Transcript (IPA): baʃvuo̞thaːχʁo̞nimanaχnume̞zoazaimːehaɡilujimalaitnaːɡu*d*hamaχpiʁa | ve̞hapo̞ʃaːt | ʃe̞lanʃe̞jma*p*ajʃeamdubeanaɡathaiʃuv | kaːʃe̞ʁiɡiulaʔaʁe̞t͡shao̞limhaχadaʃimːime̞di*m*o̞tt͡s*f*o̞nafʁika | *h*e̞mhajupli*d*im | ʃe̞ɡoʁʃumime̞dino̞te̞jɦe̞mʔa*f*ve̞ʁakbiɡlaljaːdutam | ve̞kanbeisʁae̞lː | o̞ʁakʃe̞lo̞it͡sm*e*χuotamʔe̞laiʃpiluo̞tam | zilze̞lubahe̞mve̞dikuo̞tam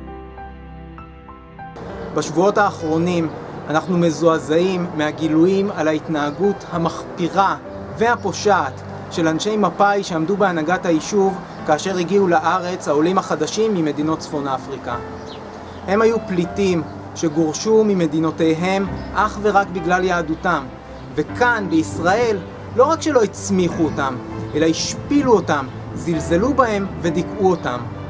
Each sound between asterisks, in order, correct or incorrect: incorrect: t, correct, incorrect: n, correct, correct, incorrect: t, incorrect: χ, incorrect: i

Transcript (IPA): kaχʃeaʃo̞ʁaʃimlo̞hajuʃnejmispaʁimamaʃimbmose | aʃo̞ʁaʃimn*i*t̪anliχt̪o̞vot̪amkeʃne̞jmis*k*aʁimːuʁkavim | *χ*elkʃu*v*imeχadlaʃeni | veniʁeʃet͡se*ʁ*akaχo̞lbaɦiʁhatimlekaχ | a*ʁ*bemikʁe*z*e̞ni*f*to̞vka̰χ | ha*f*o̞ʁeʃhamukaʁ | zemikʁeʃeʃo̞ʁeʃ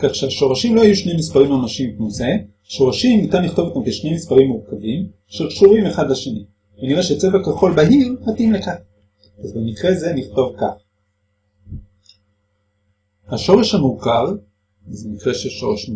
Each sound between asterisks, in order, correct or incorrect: correct, incorrect: p, incorrect: ʃ, incorrect: ʁ, incorrect: v, incorrect: z, correct, incorrect: χ, incorrect: ʃ

